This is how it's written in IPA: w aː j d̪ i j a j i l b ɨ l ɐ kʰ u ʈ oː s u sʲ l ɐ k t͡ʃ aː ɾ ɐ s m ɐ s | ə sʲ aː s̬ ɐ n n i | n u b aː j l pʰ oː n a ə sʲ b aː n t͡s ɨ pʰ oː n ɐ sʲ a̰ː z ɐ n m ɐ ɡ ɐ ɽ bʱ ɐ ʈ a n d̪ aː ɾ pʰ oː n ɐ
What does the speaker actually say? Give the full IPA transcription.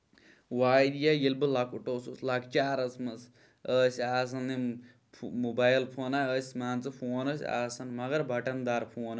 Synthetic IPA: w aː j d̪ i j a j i l b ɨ l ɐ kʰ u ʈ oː s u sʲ l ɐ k t͡ʃ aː ɾ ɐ s m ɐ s | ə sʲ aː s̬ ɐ n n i | m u b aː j l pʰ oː n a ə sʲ m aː n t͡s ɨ pʰ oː n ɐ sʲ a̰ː s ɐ n m ɐ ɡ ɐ ɾ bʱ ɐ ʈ ɐ n d̪ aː ɾ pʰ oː n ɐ

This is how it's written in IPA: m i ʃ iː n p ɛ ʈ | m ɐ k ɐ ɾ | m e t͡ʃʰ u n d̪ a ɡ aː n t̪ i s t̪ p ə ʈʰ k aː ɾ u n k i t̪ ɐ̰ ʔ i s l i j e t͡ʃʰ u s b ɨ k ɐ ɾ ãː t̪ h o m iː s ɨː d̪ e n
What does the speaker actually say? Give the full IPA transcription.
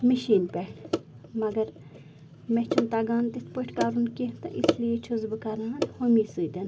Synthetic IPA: m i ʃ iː n p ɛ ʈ | m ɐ ɡ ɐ ɾ | m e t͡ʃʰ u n t̪ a ɡ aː n t̪ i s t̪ p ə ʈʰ k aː ɾ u n k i t̪ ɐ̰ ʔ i s l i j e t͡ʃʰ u z b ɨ k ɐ ɾ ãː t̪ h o m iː s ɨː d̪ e n

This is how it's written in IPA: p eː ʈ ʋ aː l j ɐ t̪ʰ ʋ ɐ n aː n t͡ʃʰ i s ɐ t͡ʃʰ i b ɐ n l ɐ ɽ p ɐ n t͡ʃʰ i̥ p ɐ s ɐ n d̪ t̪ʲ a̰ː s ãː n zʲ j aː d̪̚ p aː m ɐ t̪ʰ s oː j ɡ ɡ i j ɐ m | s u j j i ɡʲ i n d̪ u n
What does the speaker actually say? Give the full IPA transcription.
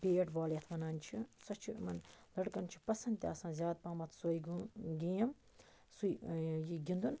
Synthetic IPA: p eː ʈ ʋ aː l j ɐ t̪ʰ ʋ ɐ n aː n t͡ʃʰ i s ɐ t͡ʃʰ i m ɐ n l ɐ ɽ k ɐ n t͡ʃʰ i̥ p ɐ s ɐ n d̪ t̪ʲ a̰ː s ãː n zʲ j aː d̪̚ p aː m ɐ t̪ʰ s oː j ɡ ɡ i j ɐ m | s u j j i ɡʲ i n d̪ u n

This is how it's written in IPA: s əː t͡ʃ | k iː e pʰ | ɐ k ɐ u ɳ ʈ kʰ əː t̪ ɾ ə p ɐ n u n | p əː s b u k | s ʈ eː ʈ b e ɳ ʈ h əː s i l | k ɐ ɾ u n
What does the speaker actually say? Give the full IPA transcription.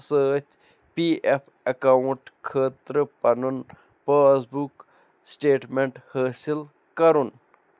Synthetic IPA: s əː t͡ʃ | p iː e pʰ | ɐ k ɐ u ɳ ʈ kʰ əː t̪ ɾ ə p ɐ n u n | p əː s b u k | s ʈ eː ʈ m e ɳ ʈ h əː s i l | k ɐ ɾ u n

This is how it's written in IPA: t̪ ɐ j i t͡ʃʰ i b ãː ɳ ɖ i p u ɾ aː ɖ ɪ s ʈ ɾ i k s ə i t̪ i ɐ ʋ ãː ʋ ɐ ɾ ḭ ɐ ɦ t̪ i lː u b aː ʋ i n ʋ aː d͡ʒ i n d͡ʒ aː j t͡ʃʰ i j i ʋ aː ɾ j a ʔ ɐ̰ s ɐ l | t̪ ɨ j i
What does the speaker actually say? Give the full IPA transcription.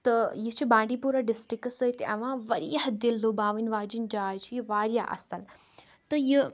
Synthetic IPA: t̪ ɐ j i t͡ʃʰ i b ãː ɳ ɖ i p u ɾ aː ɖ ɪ s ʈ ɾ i k s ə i t̪ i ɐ ʋ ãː ʋ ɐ ɾ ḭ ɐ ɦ d̪ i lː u b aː ʋ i n ʋ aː d͡ʒ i n d͡ʒ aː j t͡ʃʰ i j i ʋ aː ɾ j a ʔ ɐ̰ s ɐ l | t̪ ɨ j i

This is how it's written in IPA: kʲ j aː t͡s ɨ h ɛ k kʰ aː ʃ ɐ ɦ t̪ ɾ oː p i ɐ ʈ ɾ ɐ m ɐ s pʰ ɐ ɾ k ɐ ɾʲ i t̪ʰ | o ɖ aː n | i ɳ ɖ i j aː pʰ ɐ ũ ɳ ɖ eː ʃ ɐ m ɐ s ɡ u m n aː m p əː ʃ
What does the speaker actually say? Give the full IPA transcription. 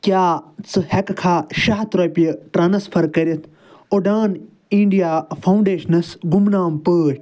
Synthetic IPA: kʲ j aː t͡s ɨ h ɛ k kʰ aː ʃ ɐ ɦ t̪ ɾ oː p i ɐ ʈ ɾ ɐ n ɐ s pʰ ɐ ɾ k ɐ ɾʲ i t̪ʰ | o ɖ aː n | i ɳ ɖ i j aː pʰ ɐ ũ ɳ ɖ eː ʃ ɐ n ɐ s ɡ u m n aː m p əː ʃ

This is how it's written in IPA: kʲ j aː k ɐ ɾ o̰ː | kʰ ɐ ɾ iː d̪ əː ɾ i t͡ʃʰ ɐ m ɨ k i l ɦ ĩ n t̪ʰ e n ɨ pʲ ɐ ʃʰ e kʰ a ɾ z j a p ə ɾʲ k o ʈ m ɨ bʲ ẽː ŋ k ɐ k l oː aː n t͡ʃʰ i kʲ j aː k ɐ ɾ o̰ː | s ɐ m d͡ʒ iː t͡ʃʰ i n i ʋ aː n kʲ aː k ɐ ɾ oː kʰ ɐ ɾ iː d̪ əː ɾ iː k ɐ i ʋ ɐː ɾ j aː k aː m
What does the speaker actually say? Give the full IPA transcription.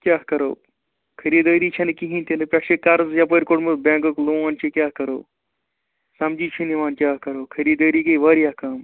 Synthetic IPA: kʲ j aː k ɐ ɾ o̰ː | kʰ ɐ ɾ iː d̪ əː ɾ i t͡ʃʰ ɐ n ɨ k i ɦ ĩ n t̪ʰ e n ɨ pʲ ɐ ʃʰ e k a ɾ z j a p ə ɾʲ k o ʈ m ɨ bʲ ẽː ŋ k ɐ k l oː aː n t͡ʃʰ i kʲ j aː k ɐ ɾ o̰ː | s ɐ m d͡ʒ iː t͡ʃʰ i n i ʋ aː n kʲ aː k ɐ ɾ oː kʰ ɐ ɾ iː d̪ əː ɾ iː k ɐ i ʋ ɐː ɾ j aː k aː m

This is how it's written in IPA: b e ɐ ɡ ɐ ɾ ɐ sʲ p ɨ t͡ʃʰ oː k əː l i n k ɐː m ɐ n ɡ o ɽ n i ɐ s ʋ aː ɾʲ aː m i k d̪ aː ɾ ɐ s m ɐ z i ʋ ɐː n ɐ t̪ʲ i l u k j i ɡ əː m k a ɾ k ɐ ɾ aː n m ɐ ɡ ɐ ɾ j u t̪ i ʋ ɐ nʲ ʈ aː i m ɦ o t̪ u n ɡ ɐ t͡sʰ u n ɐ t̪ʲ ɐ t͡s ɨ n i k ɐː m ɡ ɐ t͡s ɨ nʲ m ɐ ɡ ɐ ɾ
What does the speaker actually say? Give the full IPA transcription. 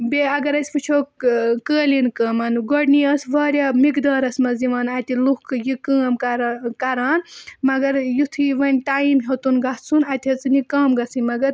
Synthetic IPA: b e ɐ ɡ ɐ ɾ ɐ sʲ p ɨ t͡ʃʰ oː k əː l i n k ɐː m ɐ n ɡ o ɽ n i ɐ s ʋ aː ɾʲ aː m i k d̪ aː ɾ ɐ s m ɐ z i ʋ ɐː n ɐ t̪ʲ i l u k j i k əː m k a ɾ k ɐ ɾ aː n m ɐ ɡ ɐ ɾ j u t̪ʰ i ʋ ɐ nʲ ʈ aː i m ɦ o t̪ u n ɡ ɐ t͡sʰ u n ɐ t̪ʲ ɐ t͡s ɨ n i k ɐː m ɡ ɐ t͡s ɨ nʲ m ɐ ɡ ɐ ɾ

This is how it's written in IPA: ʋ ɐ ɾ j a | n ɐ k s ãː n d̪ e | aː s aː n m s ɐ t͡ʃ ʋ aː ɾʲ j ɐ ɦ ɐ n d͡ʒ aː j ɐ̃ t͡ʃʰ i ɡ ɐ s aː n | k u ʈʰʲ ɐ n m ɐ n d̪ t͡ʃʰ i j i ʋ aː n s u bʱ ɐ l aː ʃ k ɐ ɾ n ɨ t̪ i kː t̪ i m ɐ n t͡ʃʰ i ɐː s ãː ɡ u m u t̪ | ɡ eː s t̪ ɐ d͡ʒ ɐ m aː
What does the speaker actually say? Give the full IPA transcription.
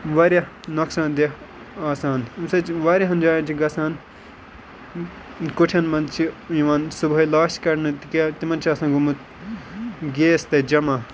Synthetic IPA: ʋ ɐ ɾ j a | n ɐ k s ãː n d̪ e | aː s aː n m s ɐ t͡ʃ ʋ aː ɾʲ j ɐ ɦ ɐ n d͡ʒ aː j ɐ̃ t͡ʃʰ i ɡ ɐ s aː n | k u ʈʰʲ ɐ n m ɐ n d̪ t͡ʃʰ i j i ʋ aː n s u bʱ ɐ l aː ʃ k ɐ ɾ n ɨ t̪ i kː t̪ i m ɐ n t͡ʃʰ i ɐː s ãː ɡ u m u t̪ | ɡ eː s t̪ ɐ d͡ʒ ɐ m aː

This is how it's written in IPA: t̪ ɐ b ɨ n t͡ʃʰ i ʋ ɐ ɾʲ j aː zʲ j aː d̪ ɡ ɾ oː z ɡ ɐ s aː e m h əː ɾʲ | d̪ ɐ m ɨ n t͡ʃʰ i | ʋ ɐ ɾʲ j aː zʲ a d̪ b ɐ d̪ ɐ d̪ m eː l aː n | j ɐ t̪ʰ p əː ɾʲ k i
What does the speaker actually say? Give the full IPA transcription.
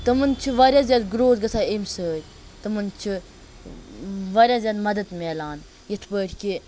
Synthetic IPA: t̪ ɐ m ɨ n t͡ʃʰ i ʋ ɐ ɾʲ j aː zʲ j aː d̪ ɡ ɾ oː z ɡ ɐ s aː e m s əː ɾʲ | t̪ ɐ m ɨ n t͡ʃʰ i | ʋ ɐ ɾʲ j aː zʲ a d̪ m ɐ d̪ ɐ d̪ m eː l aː n | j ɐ t̪ʰ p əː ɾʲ k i

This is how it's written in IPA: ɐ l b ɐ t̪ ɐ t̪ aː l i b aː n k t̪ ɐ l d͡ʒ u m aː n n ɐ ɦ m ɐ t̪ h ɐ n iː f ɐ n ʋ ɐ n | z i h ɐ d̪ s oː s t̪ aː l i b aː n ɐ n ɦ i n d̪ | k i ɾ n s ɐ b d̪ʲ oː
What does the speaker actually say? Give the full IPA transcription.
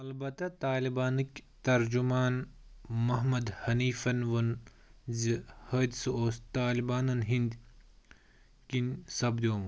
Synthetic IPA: ɐ l b ɐ t̪ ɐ t̪ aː l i b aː n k t̪ ɐ ɾ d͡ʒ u m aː n m ɐ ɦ m ɐ d̪ h ɐ n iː f ɐ n ʋ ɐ n | z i h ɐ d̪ s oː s t̪ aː l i b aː n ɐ n ɦ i n d̪ | k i n s ɐ b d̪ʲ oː

